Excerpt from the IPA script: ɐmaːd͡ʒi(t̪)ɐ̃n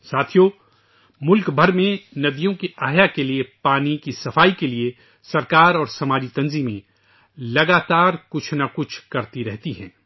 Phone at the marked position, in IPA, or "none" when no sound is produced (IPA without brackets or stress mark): t̪